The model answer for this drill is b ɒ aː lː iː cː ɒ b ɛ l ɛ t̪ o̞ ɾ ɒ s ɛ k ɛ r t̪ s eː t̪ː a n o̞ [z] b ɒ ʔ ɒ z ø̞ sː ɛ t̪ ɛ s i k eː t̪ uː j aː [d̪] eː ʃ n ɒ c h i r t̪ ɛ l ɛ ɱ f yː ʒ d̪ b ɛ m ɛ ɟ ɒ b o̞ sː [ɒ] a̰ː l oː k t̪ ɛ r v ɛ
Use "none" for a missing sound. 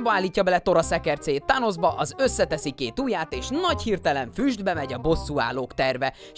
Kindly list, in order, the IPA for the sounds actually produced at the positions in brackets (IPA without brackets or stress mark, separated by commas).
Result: z, t̪, u